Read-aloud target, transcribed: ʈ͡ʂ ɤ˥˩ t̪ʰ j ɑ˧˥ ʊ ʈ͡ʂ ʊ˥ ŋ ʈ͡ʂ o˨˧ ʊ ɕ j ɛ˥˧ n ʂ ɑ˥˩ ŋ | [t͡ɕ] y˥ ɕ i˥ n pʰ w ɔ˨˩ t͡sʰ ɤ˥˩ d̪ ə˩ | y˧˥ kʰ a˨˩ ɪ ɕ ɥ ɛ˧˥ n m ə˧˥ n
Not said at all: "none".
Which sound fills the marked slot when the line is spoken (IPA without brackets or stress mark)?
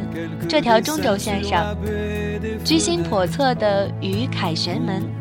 t͡ɕ